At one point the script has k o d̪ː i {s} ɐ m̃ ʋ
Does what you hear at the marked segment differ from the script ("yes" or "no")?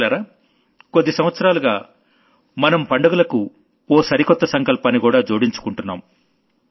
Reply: no